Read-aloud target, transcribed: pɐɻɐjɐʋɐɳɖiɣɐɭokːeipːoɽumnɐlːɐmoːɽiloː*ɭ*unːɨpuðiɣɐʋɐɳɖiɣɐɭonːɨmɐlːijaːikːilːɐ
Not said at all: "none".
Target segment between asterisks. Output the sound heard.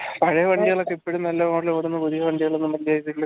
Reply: ɽ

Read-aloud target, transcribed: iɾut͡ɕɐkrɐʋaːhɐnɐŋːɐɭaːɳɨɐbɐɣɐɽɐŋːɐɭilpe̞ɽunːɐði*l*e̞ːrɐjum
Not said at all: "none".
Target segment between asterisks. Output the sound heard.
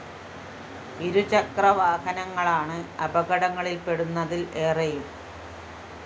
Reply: l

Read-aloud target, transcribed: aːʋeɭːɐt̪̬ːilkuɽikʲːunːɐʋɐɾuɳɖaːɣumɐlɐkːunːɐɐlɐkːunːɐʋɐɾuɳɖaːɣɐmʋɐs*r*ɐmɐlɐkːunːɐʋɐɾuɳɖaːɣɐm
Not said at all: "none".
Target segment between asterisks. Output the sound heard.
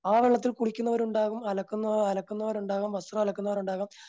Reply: r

